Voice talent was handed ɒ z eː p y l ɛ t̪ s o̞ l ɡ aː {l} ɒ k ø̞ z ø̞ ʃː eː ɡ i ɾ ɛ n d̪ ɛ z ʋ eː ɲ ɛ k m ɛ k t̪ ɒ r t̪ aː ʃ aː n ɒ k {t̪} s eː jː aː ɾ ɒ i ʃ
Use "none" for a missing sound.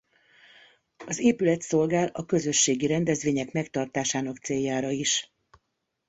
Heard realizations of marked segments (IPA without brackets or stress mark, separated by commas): l, t̪